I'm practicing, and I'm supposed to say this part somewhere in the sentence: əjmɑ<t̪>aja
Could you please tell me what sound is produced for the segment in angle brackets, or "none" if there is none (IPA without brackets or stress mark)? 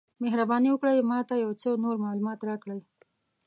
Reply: t̪